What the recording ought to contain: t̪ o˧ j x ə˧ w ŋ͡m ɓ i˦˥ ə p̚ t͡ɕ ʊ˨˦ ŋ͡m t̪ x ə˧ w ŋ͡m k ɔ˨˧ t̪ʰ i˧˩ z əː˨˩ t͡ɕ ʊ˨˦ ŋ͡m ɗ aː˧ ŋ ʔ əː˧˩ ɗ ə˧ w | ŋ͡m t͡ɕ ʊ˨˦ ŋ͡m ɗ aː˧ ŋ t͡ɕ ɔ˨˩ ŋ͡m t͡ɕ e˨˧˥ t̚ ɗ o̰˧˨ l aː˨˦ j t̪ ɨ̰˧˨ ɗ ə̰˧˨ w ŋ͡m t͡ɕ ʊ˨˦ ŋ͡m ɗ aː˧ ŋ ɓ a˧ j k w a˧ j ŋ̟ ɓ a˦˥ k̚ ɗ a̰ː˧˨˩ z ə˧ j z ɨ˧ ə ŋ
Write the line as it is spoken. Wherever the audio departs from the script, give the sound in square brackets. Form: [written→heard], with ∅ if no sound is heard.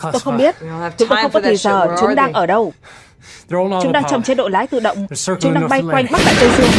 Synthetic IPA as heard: t̪ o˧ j x ə˧ w ŋ͡m ɓ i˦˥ ə [p̚→t̚] t͡ɕ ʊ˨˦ ŋ͡m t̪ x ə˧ w ŋ͡m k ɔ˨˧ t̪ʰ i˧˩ z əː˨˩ t͡ɕ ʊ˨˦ ŋ͡m ɗ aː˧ ŋ ʔ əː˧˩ ɗ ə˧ w | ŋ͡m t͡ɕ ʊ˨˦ ŋ͡m ɗ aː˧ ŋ t͡ɕ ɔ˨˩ ŋ͡m t͡ɕ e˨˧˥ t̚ ɗ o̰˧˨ l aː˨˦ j t̪ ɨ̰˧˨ ɗ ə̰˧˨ w ŋ͡m t͡ɕ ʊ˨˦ ŋ͡m ɗ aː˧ ŋ ɓ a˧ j k w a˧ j ŋ̟ ɓ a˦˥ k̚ ɗ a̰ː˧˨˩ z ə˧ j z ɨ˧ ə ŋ